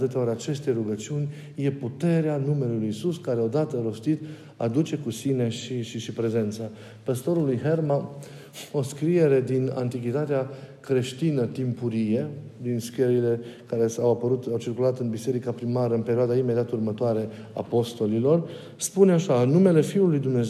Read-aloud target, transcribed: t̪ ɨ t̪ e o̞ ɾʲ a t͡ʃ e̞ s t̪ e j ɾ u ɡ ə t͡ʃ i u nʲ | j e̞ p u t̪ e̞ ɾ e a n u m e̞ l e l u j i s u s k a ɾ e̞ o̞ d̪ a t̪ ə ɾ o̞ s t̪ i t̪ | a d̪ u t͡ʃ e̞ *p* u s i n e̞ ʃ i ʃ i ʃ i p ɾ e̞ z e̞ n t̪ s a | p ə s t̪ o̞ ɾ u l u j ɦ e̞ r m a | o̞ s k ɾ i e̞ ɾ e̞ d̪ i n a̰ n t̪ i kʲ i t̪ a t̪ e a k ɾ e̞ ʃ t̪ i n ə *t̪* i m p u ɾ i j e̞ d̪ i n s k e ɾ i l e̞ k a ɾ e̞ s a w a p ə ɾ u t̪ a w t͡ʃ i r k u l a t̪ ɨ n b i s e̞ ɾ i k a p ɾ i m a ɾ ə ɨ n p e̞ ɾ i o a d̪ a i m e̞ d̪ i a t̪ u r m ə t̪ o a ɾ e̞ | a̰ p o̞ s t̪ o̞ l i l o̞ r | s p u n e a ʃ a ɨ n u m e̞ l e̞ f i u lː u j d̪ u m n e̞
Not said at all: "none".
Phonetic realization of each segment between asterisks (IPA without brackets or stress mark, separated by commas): k, t̪